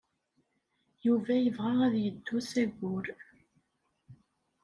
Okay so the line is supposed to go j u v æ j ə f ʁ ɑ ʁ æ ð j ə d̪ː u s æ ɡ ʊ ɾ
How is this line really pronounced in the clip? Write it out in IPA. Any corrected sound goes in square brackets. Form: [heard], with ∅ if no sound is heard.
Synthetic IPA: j u v æ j ə [v] ʁ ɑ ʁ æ ð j ə d̪ː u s æ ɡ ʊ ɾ